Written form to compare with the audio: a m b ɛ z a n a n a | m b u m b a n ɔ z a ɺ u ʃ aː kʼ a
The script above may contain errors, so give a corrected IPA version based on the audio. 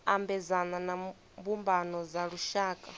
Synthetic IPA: a m b ɛ z a n a n a | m b u m b a n ɔ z a ɺ u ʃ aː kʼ a